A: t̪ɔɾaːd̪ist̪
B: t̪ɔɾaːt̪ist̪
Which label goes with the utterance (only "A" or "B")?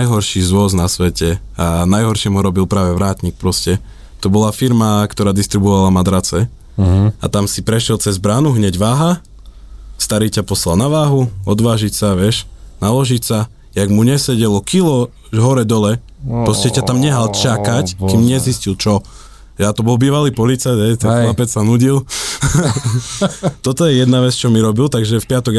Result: A